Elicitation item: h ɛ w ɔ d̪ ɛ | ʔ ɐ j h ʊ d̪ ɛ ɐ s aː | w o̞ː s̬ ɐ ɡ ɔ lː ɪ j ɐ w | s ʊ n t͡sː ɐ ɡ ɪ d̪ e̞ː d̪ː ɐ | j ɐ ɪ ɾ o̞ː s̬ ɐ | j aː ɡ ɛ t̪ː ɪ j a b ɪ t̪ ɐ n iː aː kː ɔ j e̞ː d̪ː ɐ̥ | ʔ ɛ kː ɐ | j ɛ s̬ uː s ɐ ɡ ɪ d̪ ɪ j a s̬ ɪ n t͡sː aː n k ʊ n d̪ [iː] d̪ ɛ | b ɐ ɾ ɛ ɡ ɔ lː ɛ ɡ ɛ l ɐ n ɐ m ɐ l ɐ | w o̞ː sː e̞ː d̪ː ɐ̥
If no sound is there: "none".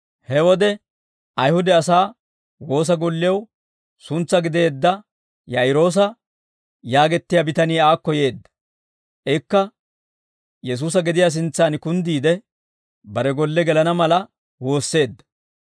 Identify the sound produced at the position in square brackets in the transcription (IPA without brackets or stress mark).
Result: iː